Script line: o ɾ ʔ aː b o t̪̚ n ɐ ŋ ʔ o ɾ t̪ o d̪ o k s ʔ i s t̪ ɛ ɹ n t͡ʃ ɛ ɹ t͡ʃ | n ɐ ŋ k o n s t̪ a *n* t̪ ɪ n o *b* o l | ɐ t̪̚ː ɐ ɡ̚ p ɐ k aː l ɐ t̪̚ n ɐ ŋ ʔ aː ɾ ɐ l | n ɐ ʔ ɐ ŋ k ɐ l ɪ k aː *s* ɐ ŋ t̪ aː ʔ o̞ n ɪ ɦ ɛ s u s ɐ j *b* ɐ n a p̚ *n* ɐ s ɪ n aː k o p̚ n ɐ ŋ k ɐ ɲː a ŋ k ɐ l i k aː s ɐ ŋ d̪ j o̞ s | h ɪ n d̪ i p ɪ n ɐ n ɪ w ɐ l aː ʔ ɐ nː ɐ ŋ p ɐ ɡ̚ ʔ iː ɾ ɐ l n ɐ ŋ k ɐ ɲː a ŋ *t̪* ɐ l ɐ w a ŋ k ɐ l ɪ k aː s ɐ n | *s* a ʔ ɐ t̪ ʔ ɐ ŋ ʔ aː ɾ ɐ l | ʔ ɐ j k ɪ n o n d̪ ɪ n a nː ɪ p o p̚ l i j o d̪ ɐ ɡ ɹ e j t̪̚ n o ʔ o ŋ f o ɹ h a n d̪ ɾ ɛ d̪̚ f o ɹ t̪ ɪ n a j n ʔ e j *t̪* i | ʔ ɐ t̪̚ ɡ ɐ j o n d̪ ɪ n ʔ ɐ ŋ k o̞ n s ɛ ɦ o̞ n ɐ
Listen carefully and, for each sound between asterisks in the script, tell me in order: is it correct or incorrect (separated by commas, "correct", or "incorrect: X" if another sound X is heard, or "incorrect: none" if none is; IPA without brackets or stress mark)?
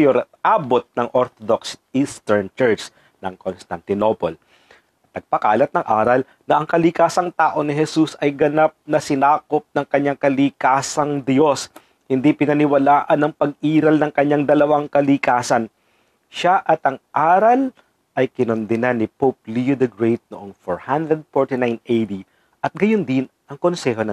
correct, incorrect: p, correct, incorrect: ɡ, correct, incorrect: d̪, incorrect: ʃ, incorrect: d̪